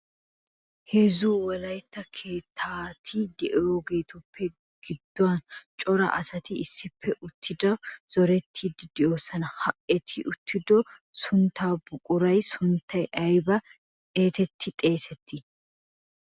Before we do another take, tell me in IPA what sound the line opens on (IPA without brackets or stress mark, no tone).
h